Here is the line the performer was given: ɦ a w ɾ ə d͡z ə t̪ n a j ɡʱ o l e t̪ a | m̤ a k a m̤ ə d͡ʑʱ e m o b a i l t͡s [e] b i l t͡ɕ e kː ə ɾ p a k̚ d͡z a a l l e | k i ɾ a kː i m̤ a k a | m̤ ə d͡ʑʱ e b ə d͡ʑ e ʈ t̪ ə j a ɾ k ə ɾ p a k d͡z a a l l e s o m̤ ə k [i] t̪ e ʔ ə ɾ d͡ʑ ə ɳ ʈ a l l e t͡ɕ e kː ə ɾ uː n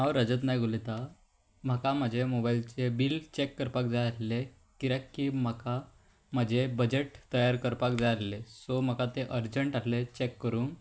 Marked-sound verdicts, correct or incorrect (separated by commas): correct, incorrect